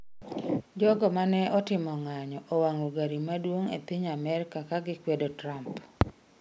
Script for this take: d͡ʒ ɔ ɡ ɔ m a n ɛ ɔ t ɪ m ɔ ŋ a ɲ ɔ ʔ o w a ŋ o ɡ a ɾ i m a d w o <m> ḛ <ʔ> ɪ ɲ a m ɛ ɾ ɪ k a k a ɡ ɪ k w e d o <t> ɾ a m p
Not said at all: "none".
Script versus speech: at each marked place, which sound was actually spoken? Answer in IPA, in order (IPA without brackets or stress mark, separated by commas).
ŋ, p, t